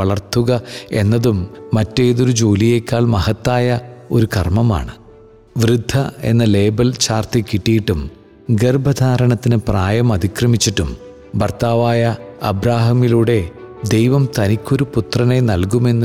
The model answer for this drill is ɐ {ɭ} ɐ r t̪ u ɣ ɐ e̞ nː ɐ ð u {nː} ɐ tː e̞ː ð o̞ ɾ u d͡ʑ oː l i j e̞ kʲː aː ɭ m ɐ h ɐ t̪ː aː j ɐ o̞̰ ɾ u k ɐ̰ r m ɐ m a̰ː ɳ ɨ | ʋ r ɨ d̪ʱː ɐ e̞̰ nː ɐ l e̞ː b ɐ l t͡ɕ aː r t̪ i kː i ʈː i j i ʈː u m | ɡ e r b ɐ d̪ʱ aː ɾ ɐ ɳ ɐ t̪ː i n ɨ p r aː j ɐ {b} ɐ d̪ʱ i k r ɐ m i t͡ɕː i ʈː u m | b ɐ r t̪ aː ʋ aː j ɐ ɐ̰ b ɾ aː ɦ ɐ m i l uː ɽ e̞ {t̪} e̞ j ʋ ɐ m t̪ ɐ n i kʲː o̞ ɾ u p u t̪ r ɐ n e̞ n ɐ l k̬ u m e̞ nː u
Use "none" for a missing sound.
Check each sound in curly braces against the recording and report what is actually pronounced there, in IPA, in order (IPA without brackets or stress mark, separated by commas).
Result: ɭ, mː, m, d̪